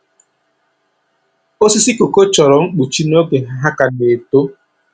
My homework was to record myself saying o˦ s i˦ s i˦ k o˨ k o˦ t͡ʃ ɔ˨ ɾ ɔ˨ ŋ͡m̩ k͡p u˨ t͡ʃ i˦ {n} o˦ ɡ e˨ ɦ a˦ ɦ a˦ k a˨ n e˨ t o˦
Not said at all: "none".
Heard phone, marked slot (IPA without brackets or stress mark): n